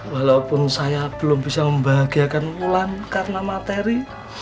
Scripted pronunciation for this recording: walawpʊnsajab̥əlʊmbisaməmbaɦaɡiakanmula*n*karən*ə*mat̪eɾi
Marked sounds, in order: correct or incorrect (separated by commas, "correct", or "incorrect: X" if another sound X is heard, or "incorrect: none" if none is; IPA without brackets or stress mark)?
correct, incorrect: a